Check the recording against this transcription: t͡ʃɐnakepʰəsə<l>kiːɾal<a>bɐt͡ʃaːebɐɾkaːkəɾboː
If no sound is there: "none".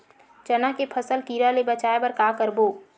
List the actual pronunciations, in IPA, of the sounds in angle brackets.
l, e

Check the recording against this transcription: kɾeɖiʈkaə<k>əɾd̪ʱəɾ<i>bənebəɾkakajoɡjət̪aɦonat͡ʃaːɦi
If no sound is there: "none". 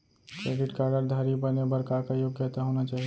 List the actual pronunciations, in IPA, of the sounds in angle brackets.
ɡ, i

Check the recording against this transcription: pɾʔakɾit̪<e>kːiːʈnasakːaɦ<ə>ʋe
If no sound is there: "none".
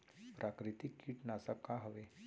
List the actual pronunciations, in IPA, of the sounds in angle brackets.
i, ə

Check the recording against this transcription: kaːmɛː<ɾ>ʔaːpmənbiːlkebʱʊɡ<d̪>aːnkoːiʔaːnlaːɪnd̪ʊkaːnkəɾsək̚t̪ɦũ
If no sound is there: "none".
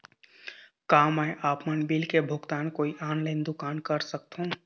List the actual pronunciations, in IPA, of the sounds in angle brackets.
none, t̪

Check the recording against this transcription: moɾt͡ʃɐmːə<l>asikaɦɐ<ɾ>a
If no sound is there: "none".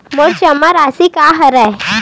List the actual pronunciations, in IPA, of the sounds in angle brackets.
ɾ, ɾ

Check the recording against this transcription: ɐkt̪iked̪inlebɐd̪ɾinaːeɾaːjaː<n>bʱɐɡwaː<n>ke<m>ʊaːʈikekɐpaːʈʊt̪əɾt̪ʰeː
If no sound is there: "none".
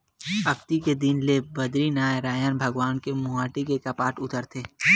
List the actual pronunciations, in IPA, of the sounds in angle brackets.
n, n, m

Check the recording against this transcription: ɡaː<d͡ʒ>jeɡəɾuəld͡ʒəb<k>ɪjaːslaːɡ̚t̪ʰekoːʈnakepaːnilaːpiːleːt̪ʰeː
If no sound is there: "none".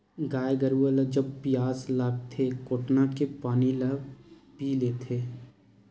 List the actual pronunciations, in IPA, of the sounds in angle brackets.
none, p

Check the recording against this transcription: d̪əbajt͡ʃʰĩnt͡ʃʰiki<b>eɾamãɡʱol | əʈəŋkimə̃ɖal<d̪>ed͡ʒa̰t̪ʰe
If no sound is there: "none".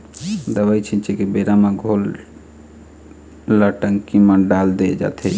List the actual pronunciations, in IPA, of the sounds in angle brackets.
b, d̪

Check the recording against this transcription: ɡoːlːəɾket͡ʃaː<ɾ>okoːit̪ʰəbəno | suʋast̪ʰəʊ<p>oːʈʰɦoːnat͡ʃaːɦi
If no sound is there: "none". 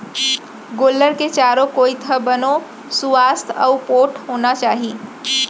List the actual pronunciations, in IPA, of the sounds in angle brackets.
ɾ, p

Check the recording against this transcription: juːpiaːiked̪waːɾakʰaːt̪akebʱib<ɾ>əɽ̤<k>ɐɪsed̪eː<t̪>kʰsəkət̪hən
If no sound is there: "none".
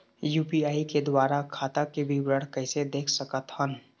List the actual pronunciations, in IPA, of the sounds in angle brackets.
ɾ, k, none

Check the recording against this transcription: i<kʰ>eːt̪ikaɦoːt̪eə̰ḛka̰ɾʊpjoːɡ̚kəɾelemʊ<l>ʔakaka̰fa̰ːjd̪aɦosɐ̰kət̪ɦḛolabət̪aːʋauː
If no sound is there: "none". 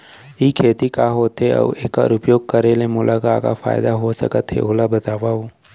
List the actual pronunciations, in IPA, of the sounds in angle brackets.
kʰ, l

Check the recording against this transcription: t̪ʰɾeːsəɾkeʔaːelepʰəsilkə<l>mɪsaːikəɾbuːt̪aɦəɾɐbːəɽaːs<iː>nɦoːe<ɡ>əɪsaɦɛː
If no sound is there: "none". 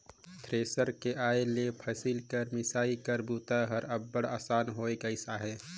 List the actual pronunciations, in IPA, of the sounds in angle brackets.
ɾ, aː, ɡ

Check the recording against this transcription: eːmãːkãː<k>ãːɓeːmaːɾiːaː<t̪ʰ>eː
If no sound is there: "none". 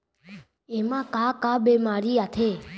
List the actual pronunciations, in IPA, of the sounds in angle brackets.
k, t̪ʰ

